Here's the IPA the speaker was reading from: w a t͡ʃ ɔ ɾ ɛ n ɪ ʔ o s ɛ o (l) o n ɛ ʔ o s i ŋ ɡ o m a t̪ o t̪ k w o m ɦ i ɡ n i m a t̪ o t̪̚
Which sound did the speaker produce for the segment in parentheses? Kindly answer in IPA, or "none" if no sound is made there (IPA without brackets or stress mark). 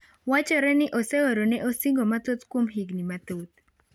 ɾ